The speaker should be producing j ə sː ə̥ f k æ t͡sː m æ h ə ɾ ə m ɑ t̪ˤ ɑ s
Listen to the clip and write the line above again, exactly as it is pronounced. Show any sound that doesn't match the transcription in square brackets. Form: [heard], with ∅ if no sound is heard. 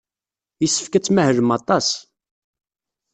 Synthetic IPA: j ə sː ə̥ f k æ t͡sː m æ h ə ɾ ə m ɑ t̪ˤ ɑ s